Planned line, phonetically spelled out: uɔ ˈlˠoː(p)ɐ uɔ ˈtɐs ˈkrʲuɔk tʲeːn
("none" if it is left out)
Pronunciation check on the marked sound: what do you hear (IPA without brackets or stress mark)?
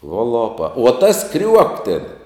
p